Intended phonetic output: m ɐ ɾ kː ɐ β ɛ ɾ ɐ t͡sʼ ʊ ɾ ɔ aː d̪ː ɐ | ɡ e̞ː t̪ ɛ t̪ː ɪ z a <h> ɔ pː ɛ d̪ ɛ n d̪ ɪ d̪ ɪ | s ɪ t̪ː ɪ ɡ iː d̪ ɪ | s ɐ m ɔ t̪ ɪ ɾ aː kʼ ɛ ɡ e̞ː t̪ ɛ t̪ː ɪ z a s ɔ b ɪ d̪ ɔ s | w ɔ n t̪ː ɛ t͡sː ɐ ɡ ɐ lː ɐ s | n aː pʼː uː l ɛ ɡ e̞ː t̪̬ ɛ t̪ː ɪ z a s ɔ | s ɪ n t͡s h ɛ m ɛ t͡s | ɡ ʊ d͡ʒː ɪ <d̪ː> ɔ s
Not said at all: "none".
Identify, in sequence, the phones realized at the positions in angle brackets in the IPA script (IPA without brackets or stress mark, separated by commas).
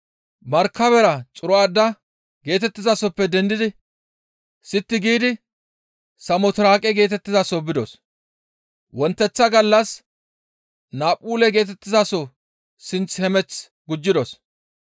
s, d̪